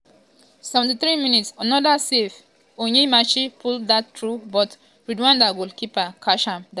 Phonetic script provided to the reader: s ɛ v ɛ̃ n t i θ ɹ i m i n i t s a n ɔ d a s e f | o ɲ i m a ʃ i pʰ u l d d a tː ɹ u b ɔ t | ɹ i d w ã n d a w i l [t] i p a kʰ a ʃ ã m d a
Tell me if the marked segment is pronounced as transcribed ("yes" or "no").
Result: no